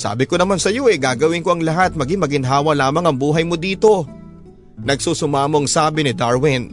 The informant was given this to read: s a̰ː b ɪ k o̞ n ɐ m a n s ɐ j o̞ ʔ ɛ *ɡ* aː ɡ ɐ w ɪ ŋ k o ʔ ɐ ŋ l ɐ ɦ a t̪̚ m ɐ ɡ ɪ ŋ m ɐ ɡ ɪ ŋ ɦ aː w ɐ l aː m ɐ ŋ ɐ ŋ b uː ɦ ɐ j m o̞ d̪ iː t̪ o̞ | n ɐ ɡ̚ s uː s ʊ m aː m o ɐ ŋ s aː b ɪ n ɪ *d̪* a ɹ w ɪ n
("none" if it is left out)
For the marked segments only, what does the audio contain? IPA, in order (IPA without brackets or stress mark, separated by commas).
ɡ, d̪